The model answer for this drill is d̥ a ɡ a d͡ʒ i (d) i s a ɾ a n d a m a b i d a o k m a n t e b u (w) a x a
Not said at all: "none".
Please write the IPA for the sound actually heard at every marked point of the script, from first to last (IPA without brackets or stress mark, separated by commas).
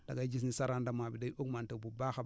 n, b